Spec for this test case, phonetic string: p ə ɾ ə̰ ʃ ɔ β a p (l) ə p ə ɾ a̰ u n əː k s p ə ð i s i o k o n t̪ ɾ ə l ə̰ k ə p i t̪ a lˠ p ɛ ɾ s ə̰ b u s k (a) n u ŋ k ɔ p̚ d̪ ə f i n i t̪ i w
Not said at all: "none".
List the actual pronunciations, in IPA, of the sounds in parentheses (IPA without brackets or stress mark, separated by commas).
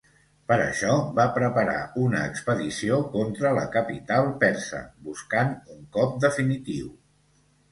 ɾ, a